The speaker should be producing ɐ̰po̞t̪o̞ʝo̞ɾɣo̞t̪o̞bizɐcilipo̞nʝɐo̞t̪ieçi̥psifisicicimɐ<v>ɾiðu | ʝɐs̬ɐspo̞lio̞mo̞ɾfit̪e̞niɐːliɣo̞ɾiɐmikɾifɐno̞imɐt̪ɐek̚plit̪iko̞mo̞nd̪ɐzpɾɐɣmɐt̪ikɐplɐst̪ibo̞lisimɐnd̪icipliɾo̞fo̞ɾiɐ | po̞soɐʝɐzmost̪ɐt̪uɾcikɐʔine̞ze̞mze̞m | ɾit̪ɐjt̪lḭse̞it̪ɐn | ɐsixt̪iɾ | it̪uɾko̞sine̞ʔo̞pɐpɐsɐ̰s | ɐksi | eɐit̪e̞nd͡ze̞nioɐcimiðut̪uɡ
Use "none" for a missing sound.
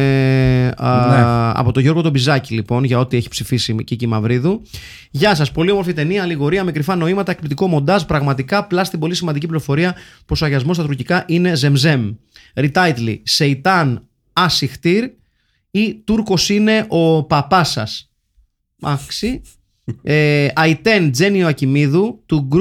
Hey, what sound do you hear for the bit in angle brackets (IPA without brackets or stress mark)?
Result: v